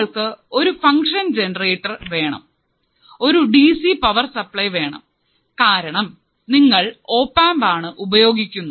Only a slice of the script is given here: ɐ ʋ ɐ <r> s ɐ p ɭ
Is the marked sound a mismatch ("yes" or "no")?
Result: no